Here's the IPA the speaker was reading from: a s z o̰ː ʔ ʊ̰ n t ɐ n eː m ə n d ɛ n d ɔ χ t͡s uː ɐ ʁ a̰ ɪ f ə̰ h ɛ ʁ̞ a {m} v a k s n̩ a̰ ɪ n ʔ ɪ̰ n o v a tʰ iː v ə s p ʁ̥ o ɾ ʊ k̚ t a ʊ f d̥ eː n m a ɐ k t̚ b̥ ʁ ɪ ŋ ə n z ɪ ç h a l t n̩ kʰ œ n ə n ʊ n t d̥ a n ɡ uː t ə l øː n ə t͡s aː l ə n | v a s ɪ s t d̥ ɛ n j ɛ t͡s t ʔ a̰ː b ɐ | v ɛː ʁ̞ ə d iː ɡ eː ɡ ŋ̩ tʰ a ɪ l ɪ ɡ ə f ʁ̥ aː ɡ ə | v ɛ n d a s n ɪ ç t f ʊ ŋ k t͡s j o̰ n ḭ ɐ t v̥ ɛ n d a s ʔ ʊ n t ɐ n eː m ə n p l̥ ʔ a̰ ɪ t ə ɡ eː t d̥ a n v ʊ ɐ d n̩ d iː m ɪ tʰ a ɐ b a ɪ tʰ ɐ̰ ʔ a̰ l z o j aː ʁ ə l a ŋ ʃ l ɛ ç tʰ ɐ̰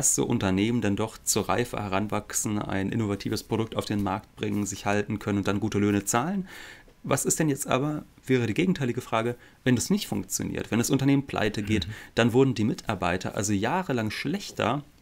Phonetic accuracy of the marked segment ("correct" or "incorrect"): incorrect